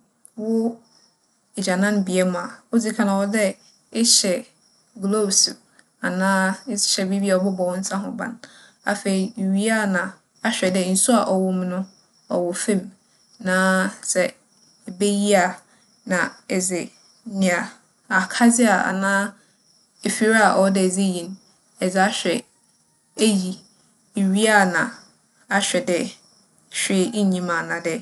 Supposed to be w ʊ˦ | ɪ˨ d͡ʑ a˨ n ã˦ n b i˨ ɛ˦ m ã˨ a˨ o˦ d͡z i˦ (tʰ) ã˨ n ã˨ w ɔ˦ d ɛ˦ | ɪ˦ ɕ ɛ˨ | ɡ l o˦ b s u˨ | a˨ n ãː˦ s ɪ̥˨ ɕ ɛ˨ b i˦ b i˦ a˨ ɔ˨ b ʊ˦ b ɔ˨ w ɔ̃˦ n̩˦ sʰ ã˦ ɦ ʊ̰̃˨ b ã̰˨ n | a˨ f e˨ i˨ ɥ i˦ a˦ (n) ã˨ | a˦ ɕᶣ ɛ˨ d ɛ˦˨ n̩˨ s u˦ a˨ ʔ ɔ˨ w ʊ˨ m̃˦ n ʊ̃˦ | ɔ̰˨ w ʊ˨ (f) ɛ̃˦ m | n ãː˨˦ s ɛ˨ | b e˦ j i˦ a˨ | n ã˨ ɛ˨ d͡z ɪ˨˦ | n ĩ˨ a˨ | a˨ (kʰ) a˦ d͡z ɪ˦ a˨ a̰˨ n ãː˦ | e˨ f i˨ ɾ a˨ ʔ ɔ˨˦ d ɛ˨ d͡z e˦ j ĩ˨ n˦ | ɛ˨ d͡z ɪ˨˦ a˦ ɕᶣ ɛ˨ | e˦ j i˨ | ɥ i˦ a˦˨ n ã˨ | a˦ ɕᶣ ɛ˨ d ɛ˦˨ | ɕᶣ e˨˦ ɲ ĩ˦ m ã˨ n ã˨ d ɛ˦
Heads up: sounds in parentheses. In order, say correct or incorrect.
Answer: incorrect: kʰ, correct, correct, correct

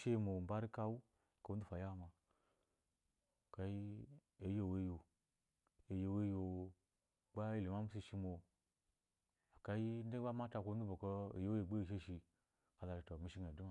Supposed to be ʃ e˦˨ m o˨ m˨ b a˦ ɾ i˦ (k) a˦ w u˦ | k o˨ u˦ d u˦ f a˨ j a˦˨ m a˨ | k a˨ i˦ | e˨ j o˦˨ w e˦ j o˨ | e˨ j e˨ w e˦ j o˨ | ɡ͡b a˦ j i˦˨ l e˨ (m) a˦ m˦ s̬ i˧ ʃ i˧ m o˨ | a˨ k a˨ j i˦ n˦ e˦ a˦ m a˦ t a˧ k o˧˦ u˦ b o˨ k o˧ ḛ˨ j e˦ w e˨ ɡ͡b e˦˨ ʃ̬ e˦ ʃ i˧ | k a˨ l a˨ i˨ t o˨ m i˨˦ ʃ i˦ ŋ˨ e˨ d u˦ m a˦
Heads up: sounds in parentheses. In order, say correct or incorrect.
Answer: correct, correct

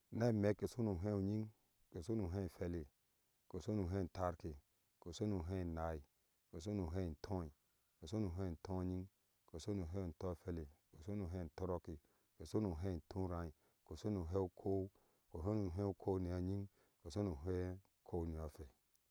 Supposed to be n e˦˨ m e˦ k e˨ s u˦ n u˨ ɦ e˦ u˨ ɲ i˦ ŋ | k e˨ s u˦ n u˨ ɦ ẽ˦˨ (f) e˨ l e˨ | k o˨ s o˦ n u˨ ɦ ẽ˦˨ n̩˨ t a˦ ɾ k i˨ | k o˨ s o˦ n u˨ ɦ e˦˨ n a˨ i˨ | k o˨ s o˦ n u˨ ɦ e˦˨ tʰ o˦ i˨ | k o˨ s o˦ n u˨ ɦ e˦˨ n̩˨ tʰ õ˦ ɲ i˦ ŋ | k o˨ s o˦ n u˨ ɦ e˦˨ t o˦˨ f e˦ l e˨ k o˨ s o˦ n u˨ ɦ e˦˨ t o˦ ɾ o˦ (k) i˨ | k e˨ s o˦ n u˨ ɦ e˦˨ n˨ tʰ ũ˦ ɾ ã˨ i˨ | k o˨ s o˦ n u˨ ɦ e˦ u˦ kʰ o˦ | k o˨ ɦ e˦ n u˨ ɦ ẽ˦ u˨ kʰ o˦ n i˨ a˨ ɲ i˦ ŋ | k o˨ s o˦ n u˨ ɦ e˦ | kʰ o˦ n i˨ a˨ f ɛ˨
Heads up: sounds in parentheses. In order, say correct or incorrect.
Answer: correct, correct

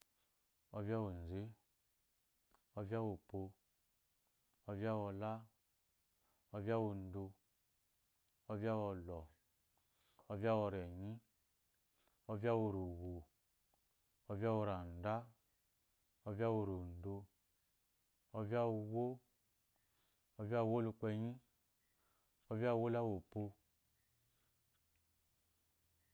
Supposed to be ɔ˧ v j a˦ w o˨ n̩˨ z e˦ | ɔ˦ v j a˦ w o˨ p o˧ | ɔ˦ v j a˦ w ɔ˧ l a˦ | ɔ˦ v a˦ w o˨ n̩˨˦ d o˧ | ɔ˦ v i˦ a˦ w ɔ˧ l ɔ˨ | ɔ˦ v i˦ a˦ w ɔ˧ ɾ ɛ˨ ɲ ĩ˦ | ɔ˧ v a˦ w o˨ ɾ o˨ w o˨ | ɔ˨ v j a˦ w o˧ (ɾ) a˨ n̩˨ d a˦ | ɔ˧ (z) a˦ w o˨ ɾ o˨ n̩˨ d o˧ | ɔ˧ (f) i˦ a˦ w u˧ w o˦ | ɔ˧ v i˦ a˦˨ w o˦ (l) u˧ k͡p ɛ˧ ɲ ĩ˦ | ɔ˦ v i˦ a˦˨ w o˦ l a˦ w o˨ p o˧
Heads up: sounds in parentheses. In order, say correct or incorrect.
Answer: correct, incorrect: v, incorrect: v, correct

